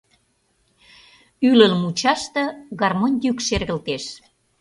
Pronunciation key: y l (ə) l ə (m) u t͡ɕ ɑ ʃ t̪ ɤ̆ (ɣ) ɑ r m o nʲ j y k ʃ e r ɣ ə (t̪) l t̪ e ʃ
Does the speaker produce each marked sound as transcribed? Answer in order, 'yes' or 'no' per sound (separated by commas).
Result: yes, yes, yes, no